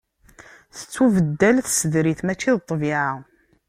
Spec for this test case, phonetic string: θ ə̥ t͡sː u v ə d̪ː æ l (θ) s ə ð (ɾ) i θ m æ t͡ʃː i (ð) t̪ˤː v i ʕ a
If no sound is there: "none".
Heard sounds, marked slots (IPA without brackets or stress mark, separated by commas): θ, ɾ, ð